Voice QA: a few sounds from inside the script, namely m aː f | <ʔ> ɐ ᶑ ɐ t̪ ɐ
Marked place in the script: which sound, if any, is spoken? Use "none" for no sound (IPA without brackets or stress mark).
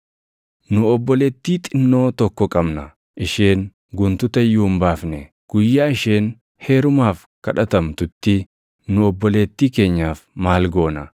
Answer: k